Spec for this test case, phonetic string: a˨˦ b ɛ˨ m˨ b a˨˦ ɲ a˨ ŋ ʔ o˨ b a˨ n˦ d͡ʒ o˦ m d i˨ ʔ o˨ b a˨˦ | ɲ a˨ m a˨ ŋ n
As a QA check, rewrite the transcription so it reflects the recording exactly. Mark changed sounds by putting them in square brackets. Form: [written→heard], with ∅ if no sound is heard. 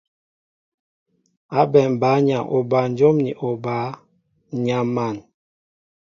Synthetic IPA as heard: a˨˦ b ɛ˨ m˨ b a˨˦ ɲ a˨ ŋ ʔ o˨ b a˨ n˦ d͡ʒ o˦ m [d→n] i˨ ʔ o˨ b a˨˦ | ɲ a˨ m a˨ [ŋ→∅] n